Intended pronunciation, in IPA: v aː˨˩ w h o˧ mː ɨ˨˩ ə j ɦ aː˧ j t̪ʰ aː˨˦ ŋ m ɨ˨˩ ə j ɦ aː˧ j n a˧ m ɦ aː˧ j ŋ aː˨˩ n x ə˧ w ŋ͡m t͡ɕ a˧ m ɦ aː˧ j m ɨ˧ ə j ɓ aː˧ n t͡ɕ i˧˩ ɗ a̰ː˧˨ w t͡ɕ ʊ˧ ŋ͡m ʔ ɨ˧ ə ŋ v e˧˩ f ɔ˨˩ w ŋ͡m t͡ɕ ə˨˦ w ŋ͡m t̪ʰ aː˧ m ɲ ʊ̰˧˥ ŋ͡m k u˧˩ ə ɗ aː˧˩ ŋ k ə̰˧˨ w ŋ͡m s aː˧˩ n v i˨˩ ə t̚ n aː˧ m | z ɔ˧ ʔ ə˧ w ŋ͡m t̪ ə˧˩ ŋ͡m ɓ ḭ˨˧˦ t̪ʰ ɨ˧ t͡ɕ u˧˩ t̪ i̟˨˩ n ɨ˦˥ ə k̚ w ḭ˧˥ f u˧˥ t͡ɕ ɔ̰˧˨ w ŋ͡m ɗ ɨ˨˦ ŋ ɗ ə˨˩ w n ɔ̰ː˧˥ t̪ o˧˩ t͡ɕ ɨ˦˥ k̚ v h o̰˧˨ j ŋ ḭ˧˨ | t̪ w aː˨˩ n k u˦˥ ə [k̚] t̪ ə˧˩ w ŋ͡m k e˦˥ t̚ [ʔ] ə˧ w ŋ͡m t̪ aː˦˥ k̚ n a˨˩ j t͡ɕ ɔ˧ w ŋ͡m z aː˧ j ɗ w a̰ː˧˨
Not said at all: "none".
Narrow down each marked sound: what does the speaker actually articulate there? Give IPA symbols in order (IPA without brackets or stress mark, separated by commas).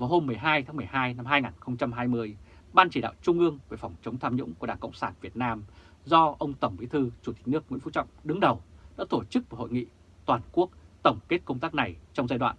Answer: k̚, k